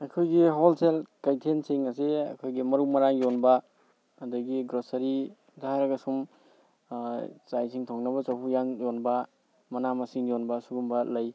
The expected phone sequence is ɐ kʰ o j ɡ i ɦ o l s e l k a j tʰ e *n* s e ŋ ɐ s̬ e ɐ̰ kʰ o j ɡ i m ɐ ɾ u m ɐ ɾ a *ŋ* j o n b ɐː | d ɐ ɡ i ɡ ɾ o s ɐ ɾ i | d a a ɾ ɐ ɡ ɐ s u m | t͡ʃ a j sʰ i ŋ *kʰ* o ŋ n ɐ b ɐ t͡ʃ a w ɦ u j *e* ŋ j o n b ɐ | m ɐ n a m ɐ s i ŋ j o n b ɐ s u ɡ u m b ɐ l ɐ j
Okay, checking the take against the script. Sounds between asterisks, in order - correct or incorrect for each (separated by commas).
correct, correct, incorrect, incorrect